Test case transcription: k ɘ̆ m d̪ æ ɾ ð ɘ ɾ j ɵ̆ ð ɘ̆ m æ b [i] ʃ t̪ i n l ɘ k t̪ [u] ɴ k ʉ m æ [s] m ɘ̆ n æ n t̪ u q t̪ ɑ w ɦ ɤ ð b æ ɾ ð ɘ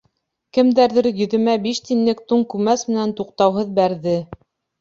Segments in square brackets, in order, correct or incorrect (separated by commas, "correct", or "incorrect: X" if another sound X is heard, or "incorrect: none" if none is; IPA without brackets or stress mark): correct, correct, correct